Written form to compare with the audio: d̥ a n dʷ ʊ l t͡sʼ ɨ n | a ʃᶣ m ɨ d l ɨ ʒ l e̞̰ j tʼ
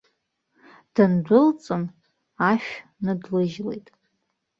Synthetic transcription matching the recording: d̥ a n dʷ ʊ l t͡sʼ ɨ n | a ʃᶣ n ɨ d l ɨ ʒ l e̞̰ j tʼ